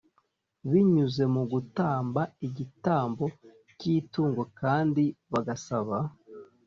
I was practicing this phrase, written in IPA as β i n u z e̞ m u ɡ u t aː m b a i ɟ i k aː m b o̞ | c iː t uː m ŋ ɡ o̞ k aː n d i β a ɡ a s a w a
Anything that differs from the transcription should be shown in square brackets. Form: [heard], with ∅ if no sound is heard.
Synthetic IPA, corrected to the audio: β i [ɲ] u z e̞ m u ɡ u t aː m b a i ɟ i [t] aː m b o̞ | c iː t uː [∅] ŋ ɡ o̞ k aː n d i β a ɡ a s a [β] a